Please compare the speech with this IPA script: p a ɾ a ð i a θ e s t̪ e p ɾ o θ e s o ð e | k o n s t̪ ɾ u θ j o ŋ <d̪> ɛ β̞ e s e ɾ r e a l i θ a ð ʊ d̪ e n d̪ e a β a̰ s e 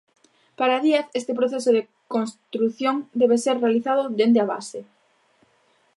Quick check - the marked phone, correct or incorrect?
correct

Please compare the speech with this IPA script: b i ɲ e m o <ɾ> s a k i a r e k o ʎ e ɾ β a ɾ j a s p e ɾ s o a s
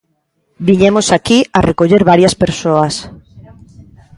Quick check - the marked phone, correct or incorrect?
incorrect: none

